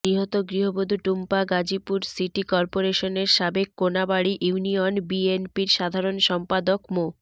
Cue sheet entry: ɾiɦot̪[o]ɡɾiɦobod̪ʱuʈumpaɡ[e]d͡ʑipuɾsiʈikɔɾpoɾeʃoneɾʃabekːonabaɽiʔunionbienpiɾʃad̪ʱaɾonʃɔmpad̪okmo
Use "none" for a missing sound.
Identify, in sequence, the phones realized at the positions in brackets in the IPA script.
o, a

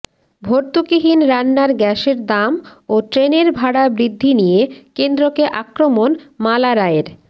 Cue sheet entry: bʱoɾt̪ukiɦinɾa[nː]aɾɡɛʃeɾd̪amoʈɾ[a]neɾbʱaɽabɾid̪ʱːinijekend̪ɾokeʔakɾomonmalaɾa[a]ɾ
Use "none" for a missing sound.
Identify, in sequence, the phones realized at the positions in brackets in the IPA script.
nː, e, e

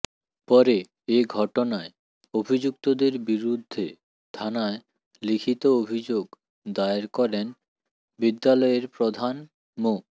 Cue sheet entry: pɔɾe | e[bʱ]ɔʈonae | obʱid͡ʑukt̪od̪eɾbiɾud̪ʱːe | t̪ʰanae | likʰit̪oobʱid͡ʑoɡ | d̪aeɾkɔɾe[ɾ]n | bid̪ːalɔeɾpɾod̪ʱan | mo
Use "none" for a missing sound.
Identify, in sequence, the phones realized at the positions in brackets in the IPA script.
ɡʱ, none

